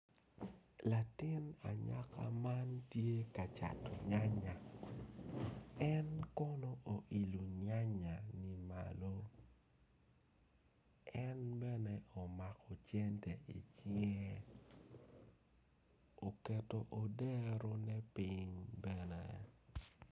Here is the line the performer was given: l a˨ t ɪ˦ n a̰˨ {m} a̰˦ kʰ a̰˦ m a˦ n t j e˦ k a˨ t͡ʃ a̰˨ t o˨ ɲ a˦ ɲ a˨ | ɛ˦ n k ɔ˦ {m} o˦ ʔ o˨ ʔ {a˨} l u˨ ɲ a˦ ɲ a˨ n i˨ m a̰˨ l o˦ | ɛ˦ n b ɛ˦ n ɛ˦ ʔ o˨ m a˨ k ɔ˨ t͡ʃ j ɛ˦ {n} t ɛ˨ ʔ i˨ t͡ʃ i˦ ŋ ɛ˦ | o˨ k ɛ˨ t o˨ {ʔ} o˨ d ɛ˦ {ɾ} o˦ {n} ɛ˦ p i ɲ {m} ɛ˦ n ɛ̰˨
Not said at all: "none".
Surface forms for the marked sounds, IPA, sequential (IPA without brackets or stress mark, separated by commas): ɲ, n, i˨, n, ʔ, ɾ, n, b